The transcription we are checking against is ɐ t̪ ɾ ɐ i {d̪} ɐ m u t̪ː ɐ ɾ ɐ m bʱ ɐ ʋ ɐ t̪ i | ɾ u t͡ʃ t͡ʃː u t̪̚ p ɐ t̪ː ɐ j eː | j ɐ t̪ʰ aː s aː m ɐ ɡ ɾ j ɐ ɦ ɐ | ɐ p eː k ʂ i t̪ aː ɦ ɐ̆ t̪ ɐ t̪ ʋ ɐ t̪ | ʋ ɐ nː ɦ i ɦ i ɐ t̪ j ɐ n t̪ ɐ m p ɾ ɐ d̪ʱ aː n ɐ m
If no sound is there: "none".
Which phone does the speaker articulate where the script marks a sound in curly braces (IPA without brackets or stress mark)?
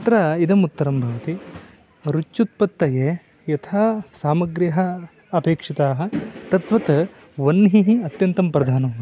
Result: d̪